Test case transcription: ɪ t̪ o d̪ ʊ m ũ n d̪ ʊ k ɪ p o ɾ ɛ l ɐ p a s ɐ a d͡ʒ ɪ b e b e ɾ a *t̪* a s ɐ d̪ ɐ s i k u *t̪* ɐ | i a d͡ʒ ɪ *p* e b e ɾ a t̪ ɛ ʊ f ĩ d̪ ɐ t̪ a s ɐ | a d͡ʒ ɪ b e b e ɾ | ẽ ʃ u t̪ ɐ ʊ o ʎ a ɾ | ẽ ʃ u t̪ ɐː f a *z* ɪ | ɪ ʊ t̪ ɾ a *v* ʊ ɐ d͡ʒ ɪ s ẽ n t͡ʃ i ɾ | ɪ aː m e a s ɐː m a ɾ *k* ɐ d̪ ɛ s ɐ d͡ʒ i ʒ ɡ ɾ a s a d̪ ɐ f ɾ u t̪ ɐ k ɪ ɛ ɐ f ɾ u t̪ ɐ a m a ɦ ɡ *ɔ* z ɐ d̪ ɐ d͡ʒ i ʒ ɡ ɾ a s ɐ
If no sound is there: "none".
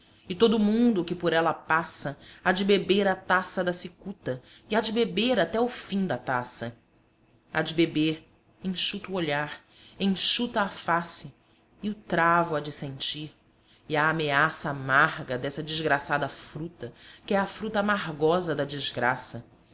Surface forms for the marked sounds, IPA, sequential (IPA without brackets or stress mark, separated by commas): t̪, t̪, b, s, v, ɡ, ɔ